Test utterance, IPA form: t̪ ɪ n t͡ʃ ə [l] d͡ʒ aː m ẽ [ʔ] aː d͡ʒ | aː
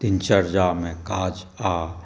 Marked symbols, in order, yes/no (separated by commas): no, no